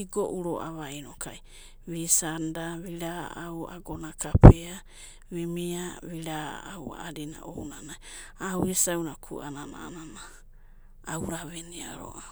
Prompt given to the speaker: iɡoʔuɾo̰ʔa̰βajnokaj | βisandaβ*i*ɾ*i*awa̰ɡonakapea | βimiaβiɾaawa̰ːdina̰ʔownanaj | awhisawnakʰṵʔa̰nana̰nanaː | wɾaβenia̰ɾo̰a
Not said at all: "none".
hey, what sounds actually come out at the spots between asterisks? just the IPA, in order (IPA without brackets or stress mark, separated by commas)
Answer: i, a